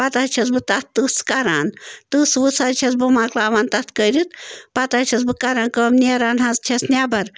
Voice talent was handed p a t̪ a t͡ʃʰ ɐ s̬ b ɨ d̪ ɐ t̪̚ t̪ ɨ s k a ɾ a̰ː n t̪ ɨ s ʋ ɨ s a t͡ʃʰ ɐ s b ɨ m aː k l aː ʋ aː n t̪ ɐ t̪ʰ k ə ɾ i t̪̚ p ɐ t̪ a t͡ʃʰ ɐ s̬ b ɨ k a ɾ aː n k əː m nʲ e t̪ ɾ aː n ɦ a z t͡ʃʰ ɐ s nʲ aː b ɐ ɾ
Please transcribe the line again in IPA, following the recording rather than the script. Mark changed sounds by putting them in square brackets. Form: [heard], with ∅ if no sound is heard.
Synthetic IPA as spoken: p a t̪ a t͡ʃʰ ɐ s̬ b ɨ [t̪] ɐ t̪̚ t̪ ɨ s k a ɾ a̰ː n t̪ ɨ s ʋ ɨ s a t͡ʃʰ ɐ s b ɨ m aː k l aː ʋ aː n t̪ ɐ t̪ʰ k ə ɾ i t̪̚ p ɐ t̪ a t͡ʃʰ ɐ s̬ b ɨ k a ɾ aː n k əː m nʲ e [∅] ɾ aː n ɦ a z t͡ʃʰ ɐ s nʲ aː b ɐ ɾ